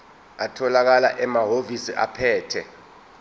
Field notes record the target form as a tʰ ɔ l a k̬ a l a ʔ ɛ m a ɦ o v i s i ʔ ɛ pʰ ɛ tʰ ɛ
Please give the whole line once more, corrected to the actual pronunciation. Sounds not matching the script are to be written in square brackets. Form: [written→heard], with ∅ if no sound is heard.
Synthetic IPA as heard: a tʰ ɔ l a k̬ a l a ʔ ɛ m a ɦ o v i s i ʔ [ɛ→a] pʰ [ɛ→ɛː] tʰ ɛ